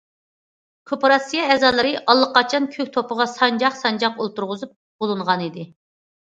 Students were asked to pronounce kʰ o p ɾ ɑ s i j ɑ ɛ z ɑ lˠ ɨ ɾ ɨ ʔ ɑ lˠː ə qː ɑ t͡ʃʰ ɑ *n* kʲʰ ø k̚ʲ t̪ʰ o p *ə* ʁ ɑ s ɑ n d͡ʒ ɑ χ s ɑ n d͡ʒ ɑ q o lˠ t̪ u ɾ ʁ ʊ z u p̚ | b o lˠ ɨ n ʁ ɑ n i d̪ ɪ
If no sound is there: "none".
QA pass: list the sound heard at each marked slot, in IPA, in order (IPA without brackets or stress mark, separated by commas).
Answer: n, ə